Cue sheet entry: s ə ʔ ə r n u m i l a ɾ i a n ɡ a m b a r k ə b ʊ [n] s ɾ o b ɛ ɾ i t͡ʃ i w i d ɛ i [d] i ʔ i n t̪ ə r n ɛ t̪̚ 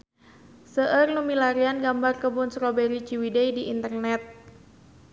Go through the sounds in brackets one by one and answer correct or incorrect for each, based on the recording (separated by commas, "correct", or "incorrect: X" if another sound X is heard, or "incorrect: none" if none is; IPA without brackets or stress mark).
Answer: correct, correct